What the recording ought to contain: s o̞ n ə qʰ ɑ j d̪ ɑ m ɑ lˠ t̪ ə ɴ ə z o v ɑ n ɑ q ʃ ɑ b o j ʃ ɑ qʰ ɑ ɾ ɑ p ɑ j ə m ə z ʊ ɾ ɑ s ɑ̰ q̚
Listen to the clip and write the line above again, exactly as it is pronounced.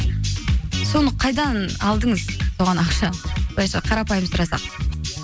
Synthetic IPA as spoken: s o̞ n ə qʰ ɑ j d̪ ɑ n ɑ lˠ d̪ ə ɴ ə z o ʁ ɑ n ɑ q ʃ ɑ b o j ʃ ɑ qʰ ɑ ɾ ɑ p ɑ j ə m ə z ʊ ɾ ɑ s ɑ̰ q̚